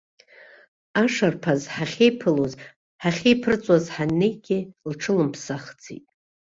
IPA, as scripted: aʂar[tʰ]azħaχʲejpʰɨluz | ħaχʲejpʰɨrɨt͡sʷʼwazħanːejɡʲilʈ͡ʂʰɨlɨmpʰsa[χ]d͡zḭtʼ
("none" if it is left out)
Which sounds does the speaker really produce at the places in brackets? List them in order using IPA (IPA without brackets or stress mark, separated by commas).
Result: pʰ, χ